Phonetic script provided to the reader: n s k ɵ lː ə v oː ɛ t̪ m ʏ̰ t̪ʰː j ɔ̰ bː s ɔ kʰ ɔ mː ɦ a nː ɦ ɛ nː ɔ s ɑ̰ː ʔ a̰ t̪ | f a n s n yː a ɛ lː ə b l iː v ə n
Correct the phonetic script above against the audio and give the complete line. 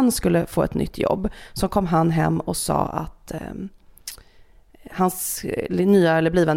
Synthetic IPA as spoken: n s k ɵ lː ə f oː ɛ t̪ n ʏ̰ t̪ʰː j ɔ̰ bː s ɔ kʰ ɔ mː ɦ a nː ɦ ɛ mː ɔ s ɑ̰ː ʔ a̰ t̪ | h a n s n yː a ɛ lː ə b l iː v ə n